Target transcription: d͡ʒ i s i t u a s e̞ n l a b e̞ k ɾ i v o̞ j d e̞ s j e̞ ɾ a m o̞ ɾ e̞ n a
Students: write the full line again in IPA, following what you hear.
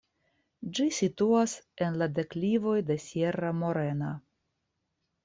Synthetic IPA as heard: d͡ʒ i s i t u a s e̞ n l a d e̞ k l i v o̞ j d e̞ s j e̞ ɾ a m o̞ ɾ e̞ n a

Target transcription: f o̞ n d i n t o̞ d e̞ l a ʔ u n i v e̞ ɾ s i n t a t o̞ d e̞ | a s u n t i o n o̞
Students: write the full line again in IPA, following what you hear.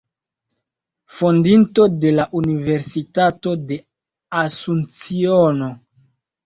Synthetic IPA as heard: f o̞ n d i n t o̞ d e̞ l a ʔ u n i v e̞ ɾ s i t a t o̞ d e̞ | a s u n t͡s i o n o̞

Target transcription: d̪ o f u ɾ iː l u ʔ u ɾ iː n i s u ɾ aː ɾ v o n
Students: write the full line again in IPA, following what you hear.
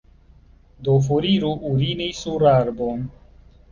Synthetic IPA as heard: d̪ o f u ɾ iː ɾ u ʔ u ɾ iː n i s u ɾ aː ɾ b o n

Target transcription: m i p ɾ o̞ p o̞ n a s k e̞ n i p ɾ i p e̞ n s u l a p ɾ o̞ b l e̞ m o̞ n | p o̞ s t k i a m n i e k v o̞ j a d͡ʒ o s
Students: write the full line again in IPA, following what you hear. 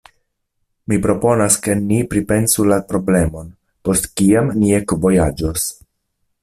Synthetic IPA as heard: m i p ɾ o̞ p o̞ n a s k e̞ n i p ɾ i p e̞ n s u l a p ɾ o̞ b l e̞ m o̞ n | p o̞ s t k i a m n i e k v o̞ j a d͡ʒ o s

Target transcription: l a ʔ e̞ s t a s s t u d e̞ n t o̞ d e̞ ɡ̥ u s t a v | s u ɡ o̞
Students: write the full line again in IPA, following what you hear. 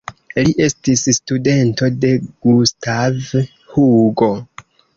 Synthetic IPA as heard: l i ʔ e̞ s t i s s t u d e̞ n t o̞ d e̞ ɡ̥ u s t a v | h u ɡ o̞

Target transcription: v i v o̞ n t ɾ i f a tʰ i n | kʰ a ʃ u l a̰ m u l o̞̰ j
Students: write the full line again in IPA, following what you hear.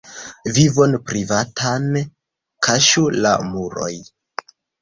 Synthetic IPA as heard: v i v o̞ n p ɾ i v a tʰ a n | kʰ a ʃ u l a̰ m u ɾ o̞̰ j

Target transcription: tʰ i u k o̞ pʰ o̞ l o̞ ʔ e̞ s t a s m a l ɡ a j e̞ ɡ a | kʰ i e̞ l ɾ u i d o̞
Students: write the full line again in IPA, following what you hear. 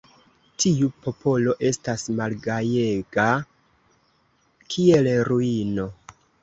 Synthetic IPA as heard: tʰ i u p o̞ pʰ o̞ l o̞ ʔ e̞ s t a s m a l ɡ a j e̞ ɡ a | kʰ i e̞ l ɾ u i n o̞

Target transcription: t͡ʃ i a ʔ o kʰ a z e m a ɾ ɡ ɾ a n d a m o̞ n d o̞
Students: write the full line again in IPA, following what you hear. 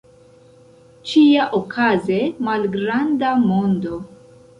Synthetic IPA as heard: t͡ʃ i a ʔ o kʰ a z e m a l ɡ ɾ a n d a m o̞ n d o̞

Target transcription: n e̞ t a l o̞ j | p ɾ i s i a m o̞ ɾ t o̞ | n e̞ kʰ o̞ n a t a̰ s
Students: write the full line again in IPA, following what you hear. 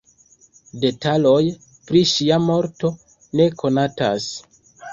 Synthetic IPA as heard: d e̞ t a l o̞ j | p ɾ i ʃ i a m o̞ ɾ t o̞ | n e̞ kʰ o̞ n a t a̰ s

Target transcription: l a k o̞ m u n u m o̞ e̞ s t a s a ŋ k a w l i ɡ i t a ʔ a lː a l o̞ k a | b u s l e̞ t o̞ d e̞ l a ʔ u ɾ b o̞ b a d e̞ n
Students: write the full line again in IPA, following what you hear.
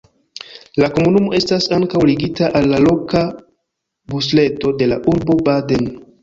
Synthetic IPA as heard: l a k o̞ m u n u m o̞ e̞ s t a s a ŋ k a w l i ɡ i t a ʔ a lː a l o̞ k a | b u s l e̞ t o̞ d e̞ l a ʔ u ɾ b o̞ b a d e̞ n

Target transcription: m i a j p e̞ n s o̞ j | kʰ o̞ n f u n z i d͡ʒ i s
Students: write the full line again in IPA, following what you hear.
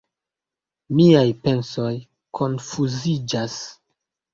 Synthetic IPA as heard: m i a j p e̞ n s o̞ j | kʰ o̞ n f u z i d͡ʒ a s

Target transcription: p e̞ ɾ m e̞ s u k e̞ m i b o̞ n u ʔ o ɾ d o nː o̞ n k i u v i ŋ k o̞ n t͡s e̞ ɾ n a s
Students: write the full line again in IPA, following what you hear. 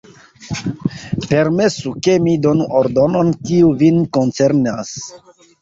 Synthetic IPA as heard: p e̞ ɾ m e̞ s u k e̞ m i d o̞ n u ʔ o ɾ d o n o̞ n k i u v i n k o̞ n t͡s e̞ ɾ n a s

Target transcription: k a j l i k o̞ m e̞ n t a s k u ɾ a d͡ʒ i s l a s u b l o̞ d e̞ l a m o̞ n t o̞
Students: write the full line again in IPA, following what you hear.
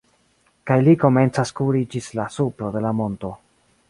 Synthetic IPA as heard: k a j l i k o̞ m e̞ n t͡s a s k u ɾ i d͡ʒ i s l a s u p l o̞ d e̞ l a m o̞ n t o̞

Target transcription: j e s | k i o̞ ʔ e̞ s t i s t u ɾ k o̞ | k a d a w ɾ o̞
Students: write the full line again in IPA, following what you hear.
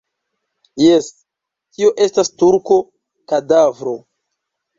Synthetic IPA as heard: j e s | t i o̞ ʔ e̞ s t a s t u ɾ k o̞ | k a d a v ɾ o̞

